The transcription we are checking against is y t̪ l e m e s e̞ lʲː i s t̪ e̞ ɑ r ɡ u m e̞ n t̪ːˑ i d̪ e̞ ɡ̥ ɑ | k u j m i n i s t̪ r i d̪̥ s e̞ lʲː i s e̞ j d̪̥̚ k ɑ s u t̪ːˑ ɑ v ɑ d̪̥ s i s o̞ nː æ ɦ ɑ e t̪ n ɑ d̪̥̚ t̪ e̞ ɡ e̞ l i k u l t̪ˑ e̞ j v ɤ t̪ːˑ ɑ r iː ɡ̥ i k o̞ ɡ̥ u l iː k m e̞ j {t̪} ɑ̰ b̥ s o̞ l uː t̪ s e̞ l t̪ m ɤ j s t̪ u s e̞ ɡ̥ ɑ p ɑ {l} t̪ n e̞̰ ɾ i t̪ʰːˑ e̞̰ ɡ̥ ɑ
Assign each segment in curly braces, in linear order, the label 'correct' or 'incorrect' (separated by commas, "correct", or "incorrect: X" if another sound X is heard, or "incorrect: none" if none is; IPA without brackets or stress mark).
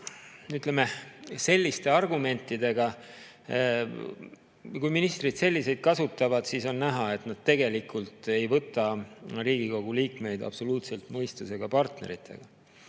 incorrect: d̪, incorrect: r